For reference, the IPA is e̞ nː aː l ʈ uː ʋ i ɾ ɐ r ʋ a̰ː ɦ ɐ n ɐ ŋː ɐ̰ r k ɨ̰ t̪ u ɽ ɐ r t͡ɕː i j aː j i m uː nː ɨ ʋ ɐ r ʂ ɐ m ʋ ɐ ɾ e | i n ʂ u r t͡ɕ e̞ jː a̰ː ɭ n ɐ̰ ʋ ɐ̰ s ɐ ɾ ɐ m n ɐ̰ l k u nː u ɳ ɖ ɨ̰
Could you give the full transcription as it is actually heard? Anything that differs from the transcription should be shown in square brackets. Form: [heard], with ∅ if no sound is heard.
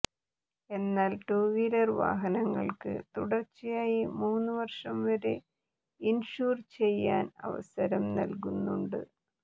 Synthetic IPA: e̞ nː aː l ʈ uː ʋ i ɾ ɐ r ʋ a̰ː ɦ ɐ n ɐ ŋː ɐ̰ [ɭ] k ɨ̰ t̪ u ɽ ɐ r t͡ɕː i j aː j i m uː nː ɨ ʋ ɐ r ʂ ɐ m ʋ ɐ ɾ e | i n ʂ [uː] r t͡ɕ e̞ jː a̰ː [∅] n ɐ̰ ʋ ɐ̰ s ɐ ɾ ɐ m n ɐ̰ l k u nː u ɳ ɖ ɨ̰